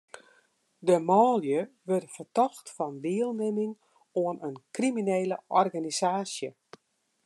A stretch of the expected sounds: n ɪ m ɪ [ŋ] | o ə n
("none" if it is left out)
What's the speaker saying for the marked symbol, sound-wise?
ŋ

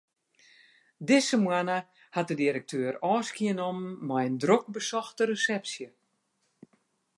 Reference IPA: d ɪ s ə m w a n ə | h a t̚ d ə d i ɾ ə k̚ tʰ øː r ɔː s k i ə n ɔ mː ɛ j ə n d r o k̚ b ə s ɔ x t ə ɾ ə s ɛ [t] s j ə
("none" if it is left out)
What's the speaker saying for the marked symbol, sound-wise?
p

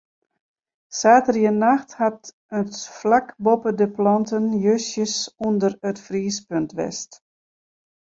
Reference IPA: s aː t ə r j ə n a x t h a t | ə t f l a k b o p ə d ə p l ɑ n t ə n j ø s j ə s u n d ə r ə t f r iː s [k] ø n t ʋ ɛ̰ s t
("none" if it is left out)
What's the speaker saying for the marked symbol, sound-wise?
p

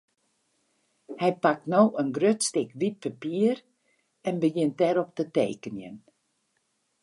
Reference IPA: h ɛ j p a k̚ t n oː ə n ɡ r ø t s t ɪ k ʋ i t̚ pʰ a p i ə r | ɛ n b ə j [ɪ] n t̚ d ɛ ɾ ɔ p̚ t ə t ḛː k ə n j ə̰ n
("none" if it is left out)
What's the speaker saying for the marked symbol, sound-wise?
ɪ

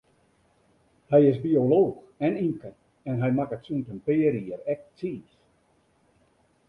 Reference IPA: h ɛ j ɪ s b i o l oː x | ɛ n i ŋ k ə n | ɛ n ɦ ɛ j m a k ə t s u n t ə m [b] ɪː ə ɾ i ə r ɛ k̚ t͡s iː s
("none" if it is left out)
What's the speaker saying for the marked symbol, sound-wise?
p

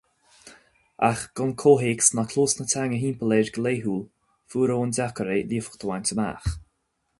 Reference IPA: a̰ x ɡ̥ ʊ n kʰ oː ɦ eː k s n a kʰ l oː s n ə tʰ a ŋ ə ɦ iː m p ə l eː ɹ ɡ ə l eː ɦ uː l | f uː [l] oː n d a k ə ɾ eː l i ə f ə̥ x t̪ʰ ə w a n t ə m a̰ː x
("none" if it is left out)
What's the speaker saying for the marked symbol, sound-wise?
ɾ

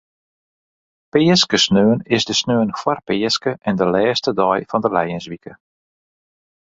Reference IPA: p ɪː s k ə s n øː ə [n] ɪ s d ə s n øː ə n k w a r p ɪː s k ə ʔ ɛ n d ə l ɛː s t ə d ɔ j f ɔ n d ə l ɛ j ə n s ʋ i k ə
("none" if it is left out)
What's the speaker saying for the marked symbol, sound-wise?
n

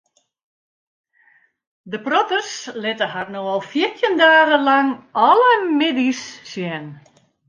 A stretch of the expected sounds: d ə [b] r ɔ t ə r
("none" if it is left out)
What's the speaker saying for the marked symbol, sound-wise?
p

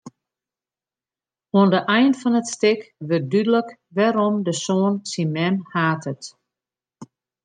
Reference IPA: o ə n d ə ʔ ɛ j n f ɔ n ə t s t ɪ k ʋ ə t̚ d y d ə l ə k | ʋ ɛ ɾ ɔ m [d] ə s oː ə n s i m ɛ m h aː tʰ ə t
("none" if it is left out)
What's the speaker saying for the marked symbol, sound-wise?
d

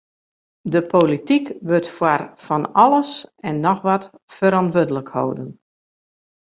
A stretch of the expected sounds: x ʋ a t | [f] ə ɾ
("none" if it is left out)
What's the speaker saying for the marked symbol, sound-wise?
f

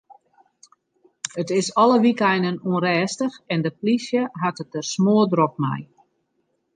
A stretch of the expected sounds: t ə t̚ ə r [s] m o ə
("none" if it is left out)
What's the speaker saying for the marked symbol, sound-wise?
s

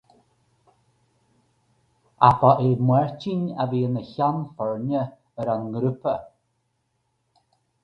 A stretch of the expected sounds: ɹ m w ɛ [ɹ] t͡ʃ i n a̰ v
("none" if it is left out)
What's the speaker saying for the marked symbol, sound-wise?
ɹ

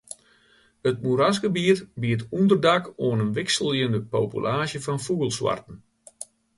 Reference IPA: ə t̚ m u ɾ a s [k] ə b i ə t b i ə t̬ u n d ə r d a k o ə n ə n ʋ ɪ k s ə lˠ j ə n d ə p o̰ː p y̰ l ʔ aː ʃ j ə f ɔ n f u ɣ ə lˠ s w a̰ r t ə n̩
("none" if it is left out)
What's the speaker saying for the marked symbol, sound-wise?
ɡ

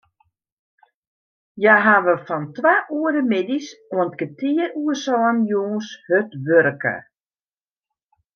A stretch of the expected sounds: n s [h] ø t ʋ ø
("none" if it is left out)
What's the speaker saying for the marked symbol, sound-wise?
h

